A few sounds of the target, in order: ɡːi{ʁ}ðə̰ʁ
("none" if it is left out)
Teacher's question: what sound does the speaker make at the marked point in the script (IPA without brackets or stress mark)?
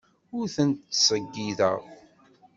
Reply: none